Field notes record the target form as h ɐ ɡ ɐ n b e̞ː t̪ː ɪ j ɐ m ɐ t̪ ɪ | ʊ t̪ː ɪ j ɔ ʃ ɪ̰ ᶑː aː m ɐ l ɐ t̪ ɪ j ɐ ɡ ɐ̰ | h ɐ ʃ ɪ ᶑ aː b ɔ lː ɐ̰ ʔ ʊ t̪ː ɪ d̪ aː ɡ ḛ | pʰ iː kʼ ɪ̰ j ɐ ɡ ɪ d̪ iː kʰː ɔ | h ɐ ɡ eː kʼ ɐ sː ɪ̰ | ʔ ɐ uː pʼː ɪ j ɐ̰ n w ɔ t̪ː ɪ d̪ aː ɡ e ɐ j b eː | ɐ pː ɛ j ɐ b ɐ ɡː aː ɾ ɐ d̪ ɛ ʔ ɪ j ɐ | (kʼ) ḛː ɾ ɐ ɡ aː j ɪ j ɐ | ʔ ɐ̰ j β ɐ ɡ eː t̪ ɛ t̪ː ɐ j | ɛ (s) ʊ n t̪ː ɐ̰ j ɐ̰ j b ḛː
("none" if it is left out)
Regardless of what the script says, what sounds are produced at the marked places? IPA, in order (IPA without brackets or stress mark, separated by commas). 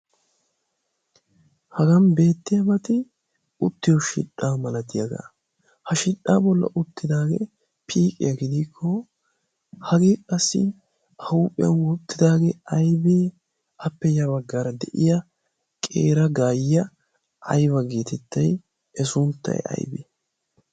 kʼ, s